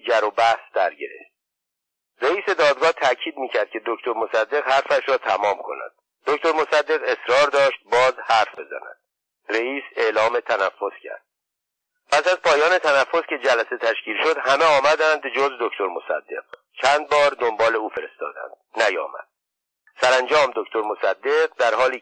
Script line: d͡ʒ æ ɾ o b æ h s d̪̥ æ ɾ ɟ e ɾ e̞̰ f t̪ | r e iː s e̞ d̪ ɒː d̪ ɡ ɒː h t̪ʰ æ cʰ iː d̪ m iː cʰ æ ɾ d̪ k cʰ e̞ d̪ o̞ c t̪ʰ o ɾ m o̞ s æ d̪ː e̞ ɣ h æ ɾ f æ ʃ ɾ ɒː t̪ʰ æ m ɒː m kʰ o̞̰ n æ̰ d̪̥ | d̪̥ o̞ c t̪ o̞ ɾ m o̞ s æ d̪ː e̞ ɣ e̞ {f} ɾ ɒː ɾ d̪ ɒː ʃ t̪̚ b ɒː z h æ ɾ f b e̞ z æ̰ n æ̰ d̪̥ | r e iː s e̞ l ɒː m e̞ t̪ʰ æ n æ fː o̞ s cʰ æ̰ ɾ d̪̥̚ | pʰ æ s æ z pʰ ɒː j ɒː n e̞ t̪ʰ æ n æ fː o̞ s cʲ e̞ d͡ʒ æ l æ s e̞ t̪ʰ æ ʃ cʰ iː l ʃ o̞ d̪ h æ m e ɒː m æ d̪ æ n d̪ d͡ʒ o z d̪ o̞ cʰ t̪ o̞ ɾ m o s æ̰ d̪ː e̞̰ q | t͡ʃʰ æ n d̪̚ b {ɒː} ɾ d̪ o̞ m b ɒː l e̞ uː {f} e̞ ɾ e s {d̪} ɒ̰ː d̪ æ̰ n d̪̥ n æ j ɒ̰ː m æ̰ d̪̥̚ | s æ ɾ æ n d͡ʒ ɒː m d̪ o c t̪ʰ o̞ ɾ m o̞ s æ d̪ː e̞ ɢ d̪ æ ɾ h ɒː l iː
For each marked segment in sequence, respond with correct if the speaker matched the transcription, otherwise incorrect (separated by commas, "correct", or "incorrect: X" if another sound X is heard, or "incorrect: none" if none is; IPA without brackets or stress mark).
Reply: incorrect: s, correct, correct, incorrect: t̪